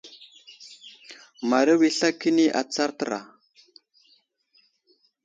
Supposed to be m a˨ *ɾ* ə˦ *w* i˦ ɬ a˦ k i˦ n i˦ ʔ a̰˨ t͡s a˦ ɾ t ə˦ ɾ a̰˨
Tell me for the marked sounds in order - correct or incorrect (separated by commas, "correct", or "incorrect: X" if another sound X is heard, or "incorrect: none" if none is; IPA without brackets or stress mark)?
correct, correct